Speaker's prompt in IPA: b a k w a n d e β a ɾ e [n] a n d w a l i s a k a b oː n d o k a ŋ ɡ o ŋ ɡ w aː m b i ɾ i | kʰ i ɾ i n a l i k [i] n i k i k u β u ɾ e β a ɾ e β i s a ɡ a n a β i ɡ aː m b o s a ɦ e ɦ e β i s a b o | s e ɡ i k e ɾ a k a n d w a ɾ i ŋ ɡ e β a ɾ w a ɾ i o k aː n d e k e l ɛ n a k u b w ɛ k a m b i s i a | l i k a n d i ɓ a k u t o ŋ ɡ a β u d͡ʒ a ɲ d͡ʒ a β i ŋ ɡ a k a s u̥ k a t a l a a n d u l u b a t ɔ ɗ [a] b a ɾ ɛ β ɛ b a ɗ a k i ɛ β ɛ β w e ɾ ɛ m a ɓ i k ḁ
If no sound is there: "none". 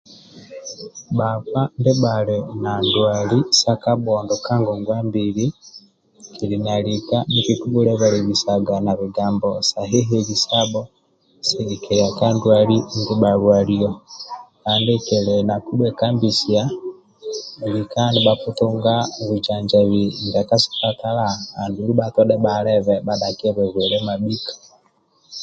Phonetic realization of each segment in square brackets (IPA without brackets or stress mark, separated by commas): n, a, ɛ